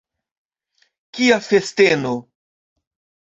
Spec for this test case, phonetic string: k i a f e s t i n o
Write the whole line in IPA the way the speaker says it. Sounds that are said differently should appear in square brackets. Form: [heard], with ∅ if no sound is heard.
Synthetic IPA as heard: k i a f e s t [e] n o